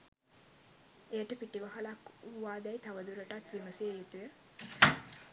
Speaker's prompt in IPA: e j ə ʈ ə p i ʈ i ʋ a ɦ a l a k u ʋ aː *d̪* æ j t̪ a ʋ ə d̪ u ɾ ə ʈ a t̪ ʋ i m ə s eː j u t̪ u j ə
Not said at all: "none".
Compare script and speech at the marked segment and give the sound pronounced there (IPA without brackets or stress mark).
d̪